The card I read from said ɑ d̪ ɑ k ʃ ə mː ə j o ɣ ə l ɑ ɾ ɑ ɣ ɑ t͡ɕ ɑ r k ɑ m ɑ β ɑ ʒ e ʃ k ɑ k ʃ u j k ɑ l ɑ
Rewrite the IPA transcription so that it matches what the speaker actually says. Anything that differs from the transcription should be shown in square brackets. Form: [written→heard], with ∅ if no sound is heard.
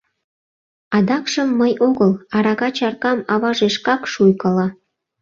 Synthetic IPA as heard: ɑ d̪ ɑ k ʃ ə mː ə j o ɣ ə l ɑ ɾ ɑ ɣ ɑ t͡ɕ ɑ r k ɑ m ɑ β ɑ ʒ e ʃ k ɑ k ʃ u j k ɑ l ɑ